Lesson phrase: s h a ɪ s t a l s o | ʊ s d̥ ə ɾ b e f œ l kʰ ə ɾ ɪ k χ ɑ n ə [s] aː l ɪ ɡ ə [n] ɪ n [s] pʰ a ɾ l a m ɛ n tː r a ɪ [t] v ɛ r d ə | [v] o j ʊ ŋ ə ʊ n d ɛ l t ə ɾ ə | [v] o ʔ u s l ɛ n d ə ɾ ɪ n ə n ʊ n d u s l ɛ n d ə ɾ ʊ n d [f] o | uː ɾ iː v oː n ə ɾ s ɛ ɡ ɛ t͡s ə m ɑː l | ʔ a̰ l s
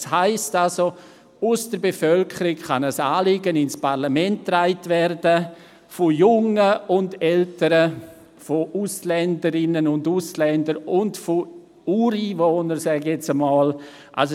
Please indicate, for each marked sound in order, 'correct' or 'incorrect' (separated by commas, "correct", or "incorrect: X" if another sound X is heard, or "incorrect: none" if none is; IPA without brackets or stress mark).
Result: correct, correct, correct, correct, incorrect: f, incorrect: f, correct